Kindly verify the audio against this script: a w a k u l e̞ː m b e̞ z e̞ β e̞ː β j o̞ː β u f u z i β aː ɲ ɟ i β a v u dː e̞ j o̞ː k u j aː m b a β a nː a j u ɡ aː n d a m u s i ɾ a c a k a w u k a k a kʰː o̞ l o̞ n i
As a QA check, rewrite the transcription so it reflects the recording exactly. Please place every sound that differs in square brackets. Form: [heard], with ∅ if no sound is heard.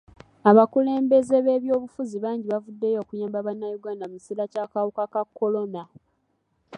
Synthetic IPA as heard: a [β] a k u l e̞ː m b e̞ z e̞ β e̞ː β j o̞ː β u f u z i β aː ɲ ɟ i β a v u dː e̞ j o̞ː k u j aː m b a β a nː a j u ɡ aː n d a m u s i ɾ a c a k a w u k a k a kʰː o̞ l o̞ n [a]